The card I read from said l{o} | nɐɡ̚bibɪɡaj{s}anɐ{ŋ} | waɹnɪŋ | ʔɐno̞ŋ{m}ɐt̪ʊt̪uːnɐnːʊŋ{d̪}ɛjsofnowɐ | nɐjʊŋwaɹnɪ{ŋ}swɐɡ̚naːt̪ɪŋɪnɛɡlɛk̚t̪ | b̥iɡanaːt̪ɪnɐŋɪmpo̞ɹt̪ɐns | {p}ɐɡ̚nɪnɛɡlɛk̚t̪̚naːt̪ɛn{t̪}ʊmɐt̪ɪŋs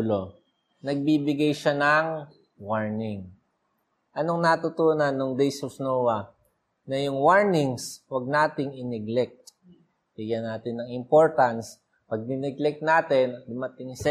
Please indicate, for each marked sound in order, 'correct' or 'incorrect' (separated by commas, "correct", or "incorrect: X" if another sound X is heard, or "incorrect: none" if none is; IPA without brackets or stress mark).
correct, incorrect: ʃ, correct, incorrect: n, correct, correct, correct, incorrect: d̪